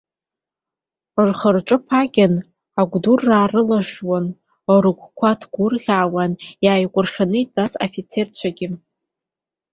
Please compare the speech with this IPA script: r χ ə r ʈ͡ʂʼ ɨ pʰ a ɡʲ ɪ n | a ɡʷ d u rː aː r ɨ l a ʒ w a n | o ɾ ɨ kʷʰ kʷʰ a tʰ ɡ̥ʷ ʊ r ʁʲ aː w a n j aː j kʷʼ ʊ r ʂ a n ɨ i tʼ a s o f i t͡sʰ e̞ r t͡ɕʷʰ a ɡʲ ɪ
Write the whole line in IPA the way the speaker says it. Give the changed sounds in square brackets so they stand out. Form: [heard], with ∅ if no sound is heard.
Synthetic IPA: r χ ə r ʈ͡ʂʼ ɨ pʰ a ɡʲ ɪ n | a ɡʷ d u rː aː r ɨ l a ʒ w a n | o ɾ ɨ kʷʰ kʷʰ a tʰ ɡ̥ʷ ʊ r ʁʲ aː w a n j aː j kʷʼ ʊ r ʂ a n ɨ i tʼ a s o f i t͡sʰ e̞ r t͡ɕʷʰ a ɡʲ ɪ